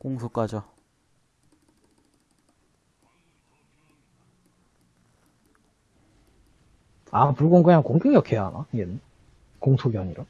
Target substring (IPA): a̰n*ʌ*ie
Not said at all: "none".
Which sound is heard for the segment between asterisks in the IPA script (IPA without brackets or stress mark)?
a